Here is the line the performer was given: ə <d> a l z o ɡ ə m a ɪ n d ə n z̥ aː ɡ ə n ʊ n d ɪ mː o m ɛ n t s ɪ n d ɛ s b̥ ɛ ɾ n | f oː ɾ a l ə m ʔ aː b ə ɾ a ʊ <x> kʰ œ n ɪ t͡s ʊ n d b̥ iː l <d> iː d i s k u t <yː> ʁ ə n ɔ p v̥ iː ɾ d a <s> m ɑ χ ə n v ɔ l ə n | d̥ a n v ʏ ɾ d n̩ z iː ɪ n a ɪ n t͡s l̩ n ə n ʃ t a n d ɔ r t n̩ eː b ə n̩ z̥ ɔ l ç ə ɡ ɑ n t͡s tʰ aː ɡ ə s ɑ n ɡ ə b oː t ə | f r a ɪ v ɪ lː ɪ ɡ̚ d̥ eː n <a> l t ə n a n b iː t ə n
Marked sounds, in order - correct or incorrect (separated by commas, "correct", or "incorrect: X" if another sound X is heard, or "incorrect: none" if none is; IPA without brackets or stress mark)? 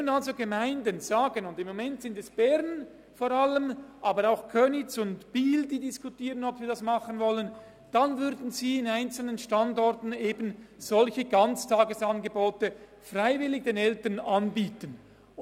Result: incorrect: n, correct, correct, incorrect: iː, correct, incorrect: ɛ